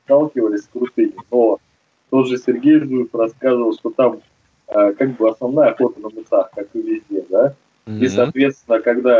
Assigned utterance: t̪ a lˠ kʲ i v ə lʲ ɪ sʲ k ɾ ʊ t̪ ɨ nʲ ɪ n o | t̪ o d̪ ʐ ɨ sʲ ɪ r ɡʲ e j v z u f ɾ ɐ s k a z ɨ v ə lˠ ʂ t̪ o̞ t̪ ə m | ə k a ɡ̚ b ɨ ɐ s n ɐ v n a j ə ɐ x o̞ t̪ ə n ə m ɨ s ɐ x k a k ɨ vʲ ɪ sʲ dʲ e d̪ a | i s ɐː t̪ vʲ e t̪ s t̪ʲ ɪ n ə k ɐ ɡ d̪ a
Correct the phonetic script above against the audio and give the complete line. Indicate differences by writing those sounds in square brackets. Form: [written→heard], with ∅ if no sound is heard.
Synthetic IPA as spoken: t̪ a lˠ kʲ [i→ɪ] v ə lʲ ɪ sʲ k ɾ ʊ t̪ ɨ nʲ ɪ n o | t̪ o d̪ ʐ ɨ sʲ ɪ r ɡʲ e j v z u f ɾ ɐ s k a z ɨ v ə lˠ ʂ t̪ o̞ t̪ [ə→a] m | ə k a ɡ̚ b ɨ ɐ s n ɐ v n a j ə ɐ x o̞ t̪ ə n ə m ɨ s [ɐ→a] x k a k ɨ vʲ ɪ [sʲ→zʲ] dʲ e d̪ a | i s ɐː t̪ vʲ e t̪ s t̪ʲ ɪ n ə k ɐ ɡ d̪ a